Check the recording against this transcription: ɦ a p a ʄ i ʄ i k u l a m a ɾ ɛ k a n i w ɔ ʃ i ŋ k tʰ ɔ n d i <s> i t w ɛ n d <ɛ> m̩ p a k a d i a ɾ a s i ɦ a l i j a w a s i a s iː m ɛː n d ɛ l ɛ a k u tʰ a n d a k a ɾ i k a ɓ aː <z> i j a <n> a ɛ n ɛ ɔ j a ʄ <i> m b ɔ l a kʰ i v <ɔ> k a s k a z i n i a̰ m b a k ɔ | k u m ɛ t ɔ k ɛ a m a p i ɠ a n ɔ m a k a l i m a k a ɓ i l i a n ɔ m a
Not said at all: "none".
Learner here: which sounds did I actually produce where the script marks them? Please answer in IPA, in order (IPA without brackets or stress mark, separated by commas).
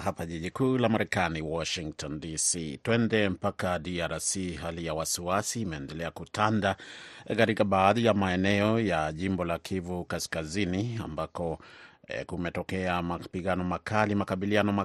s, ɛ, ð, m, i, u